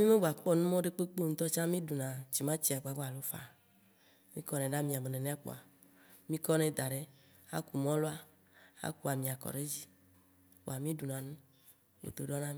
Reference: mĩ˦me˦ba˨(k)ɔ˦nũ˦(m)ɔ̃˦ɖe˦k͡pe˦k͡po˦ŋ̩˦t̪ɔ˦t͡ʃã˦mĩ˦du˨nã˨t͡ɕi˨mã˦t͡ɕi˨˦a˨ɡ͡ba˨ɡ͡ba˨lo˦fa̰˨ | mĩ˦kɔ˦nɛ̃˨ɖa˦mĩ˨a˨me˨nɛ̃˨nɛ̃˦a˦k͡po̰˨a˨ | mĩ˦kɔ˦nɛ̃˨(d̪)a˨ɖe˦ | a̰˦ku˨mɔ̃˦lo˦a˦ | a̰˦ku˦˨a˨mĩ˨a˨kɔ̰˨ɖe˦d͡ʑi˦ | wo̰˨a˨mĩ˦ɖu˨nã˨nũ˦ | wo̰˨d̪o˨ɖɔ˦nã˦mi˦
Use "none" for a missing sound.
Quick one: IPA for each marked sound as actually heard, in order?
k͡p, m, d̪

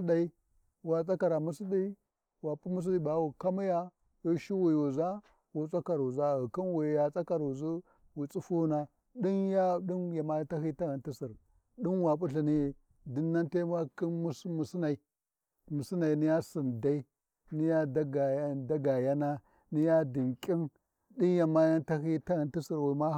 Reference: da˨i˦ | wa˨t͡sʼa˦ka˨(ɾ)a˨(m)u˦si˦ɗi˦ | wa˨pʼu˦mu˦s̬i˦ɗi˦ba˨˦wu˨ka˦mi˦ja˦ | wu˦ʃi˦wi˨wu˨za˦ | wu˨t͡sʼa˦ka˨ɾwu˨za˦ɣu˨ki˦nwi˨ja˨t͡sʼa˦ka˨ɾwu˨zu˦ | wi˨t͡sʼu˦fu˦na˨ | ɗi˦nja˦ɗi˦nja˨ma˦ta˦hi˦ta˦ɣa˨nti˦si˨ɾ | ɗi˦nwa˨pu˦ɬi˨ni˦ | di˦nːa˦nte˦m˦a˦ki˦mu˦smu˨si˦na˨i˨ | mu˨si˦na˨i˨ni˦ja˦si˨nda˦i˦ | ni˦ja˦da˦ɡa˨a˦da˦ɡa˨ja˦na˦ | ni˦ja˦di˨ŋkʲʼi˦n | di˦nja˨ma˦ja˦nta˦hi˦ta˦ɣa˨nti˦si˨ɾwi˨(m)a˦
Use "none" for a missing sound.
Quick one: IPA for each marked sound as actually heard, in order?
ɾ, m, m

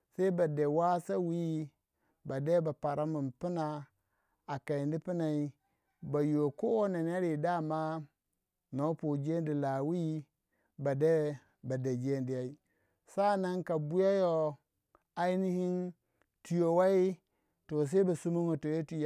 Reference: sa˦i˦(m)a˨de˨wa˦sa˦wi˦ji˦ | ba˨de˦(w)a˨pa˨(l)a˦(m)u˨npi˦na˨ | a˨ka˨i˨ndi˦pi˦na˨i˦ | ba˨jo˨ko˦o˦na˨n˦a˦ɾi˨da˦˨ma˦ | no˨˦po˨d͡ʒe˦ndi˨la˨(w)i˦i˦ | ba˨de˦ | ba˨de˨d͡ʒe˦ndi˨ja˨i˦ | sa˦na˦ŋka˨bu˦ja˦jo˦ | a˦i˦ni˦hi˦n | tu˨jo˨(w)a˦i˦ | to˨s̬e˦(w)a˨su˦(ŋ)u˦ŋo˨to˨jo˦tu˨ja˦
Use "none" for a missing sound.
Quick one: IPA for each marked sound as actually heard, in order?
b, b, ɾ, m, w, w, b, m

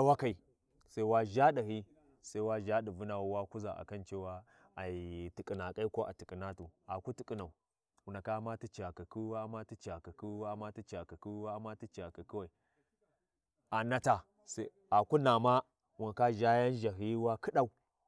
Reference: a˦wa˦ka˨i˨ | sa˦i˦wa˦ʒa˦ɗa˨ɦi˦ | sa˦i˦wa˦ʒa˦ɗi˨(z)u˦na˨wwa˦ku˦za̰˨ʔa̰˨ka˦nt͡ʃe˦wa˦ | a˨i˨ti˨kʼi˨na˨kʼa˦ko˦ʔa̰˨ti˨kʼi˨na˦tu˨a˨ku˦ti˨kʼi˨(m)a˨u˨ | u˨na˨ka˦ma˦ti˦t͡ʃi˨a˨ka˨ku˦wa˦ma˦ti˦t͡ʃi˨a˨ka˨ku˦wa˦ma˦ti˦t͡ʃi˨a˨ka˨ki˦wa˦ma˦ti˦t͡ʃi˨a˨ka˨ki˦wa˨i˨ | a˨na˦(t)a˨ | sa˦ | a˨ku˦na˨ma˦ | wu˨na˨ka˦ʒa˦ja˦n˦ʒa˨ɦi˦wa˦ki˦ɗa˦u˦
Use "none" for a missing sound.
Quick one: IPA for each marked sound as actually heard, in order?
v, n, t

